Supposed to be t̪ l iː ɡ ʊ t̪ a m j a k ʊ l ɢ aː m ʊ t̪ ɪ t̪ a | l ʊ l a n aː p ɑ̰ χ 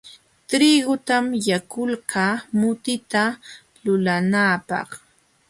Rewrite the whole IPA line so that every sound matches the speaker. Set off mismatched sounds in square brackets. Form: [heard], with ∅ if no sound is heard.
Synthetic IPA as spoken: t̪ [ɾ] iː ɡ ʊ t̪ a m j a k ʊ l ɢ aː m ʊ t̪ ɪ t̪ a | l ʊ l a n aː p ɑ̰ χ